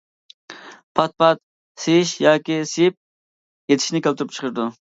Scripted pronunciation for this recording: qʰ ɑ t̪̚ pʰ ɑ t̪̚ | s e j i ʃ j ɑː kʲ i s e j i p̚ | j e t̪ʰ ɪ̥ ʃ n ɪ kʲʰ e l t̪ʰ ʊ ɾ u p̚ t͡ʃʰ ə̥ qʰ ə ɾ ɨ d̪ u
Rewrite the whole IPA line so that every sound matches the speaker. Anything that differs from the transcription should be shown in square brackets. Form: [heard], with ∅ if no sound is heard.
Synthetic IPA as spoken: [pʰ] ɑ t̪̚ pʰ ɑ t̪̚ | s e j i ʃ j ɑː kʲ i s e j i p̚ | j e t̪ʰ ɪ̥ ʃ n ɪ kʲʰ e l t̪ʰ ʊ ɾ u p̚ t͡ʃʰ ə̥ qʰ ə ɾ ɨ d̪ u

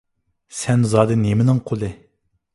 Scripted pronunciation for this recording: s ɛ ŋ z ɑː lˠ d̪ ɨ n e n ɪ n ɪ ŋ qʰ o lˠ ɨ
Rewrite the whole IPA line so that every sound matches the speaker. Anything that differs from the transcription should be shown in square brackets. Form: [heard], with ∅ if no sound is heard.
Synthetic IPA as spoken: s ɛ [n] z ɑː [∅] d̪ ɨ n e [m] ɪ n ɪ ŋ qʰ o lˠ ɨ

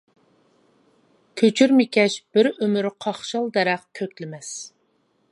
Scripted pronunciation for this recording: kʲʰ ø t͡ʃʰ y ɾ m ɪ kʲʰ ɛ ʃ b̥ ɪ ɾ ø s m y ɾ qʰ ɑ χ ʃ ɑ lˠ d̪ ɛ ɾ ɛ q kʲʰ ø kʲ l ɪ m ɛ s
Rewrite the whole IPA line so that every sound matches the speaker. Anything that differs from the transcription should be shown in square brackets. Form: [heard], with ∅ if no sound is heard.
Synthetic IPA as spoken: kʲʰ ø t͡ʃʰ y ɾ m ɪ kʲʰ ɛ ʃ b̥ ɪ ɾ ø [∅] m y ɾ qʰ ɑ χ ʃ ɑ lˠ d̪ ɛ ɾ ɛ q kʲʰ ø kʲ l ɪ m ɛ s

